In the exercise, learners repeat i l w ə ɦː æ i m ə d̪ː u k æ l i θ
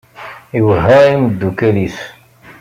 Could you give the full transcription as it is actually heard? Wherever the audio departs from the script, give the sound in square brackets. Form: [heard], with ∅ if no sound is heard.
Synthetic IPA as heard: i [∅] w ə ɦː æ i m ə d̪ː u k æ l i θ